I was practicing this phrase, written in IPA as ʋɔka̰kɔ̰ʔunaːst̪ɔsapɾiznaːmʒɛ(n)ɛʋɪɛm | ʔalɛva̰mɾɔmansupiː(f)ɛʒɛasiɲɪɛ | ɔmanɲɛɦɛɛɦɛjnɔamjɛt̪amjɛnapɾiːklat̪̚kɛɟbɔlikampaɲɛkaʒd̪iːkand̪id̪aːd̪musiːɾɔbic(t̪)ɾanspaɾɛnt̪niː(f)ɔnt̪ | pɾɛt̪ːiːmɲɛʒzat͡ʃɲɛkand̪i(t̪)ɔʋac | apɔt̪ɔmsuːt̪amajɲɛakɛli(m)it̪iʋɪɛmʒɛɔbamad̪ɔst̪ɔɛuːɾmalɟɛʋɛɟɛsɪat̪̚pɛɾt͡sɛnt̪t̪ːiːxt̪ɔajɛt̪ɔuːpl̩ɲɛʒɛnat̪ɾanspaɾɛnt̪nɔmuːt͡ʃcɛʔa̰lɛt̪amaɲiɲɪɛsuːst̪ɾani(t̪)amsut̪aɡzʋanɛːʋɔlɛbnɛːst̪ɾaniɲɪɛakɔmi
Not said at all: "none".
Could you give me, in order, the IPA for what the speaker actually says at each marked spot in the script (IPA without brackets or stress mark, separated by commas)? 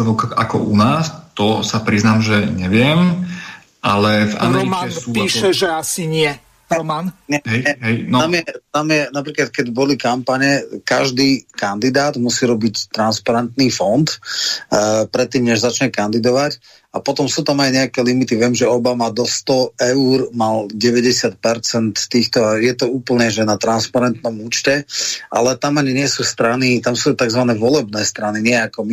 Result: ɲ, ʃ, t̪, f, d̪, m, t̪